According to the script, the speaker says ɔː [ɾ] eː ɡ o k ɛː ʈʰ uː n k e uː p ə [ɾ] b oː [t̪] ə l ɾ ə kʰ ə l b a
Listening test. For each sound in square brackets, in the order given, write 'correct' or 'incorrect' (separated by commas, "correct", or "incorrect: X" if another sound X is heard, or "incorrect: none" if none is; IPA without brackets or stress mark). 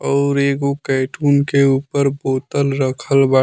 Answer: correct, correct, correct